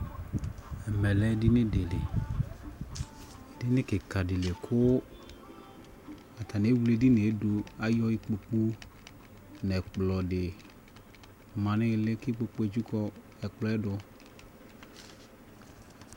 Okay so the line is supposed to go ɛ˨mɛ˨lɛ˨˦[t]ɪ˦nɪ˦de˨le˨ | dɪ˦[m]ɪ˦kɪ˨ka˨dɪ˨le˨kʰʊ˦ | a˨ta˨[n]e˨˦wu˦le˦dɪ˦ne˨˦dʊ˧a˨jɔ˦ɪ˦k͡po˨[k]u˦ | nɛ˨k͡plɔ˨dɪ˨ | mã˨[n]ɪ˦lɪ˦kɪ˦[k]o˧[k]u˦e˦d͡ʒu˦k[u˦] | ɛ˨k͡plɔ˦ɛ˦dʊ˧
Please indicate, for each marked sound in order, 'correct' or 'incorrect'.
incorrect, incorrect, correct, incorrect, correct, incorrect, incorrect, incorrect

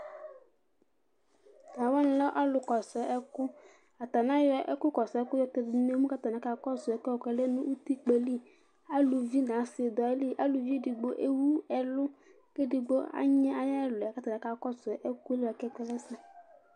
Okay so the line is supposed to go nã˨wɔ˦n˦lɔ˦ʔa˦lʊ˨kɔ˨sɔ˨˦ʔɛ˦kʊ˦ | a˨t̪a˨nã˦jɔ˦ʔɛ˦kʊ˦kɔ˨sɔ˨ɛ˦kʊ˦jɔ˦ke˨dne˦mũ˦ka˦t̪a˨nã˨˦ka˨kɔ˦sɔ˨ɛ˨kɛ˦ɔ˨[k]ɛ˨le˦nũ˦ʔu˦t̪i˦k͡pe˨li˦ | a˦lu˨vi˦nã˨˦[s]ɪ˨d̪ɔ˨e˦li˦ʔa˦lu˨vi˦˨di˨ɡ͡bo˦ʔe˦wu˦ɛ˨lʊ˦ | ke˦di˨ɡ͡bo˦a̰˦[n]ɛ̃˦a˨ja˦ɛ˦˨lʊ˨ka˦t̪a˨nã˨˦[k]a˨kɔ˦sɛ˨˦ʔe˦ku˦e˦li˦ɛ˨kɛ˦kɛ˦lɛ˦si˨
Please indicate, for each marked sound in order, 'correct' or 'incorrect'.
correct, correct, incorrect, correct

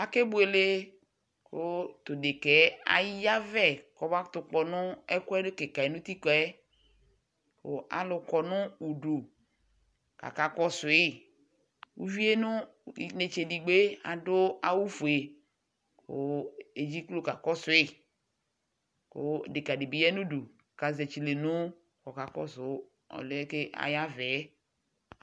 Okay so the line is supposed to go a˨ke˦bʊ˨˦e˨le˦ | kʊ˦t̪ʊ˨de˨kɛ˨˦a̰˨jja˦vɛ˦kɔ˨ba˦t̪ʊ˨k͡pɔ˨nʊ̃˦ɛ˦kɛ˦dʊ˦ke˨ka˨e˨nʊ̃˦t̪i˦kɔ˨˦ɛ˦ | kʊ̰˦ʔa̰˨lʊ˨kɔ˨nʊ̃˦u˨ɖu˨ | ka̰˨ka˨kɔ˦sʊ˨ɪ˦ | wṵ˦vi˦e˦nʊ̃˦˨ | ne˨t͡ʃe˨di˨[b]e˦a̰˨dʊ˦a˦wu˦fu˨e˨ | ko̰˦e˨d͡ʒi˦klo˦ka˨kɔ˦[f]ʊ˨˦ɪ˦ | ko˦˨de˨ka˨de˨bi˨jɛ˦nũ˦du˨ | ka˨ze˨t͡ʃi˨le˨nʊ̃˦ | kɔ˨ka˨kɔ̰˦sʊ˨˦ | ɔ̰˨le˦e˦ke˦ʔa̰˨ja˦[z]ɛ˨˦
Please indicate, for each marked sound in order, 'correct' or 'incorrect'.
incorrect, incorrect, incorrect

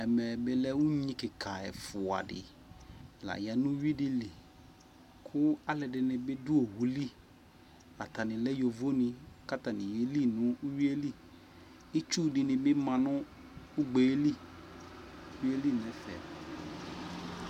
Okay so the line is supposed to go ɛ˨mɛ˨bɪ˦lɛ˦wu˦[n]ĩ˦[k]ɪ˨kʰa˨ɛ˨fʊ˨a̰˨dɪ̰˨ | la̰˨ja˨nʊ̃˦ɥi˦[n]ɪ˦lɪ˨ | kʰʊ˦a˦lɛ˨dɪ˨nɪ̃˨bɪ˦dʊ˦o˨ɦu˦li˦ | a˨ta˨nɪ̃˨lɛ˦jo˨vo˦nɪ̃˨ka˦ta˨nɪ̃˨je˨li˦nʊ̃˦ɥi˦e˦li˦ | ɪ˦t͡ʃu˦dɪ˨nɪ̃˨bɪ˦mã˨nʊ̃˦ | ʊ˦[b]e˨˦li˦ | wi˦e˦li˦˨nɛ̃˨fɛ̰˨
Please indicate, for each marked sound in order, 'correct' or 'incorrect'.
incorrect, correct, incorrect, incorrect

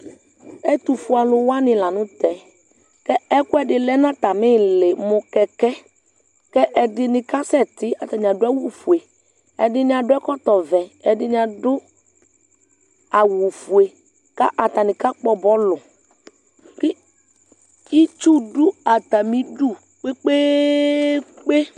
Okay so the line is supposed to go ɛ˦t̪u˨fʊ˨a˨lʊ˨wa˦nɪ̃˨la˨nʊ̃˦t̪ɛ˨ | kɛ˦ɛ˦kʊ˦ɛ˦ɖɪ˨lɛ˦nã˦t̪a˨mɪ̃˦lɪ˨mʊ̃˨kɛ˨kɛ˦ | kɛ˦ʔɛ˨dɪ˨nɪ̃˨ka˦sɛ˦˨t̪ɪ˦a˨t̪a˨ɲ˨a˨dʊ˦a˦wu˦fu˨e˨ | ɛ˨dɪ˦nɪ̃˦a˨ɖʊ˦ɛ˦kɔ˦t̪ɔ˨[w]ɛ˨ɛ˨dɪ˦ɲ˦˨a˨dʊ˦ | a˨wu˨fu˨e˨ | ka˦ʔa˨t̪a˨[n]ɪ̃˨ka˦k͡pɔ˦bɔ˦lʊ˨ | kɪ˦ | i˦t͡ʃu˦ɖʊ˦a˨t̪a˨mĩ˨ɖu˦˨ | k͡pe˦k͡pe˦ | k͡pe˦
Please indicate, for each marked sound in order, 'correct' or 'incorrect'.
incorrect, correct

